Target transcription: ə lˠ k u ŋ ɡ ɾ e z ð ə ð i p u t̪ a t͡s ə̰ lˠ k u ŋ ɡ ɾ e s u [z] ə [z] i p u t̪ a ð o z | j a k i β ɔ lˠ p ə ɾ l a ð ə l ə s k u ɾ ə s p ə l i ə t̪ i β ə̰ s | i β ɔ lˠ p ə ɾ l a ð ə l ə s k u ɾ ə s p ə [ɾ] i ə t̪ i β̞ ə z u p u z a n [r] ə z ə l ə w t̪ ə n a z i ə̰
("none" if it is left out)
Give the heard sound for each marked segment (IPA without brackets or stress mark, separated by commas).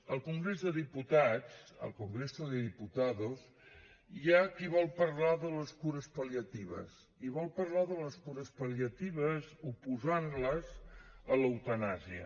ð, ð, l, l